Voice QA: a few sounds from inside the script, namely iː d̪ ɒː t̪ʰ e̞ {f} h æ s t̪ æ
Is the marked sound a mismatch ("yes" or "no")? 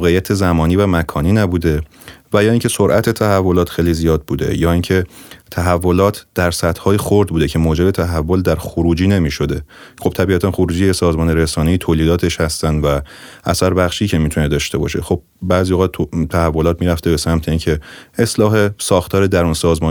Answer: yes